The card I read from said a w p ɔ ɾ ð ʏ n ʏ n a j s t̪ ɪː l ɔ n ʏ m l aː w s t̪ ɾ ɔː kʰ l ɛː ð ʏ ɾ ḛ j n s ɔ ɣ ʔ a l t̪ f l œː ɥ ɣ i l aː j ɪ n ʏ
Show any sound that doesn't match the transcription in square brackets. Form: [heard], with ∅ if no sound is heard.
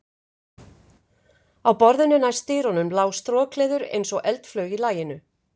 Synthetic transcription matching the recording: a w p ɔ ɾ ð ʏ n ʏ n a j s t̪ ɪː [ɾ] ɔ n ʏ m l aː w s t̪ ɾ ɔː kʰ l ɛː ð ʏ ɾ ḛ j n s ɔ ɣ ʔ [ɛ] l t̪ f l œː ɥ ɣ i l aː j ɪ n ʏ